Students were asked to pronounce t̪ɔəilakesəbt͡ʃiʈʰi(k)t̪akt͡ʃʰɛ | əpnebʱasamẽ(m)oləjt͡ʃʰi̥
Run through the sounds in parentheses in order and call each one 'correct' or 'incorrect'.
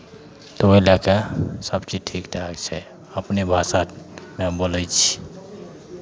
correct, incorrect: b

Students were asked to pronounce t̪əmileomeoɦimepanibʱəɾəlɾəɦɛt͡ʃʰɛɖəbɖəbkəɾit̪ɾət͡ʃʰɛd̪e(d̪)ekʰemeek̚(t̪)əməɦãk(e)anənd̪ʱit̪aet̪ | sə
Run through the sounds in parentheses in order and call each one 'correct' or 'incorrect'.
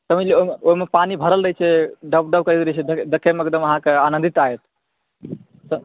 correct, incorrect: d̪, correct

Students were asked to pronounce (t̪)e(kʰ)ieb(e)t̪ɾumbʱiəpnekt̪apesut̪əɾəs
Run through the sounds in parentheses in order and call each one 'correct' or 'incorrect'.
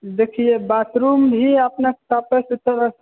incorrect: d̪, correct, incorrect: a

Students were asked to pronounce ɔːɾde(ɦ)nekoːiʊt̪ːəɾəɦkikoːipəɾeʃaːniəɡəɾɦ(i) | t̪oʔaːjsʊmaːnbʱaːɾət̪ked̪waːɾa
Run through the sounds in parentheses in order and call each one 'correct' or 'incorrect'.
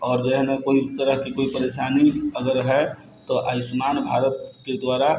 correct, incorrect: ɛ

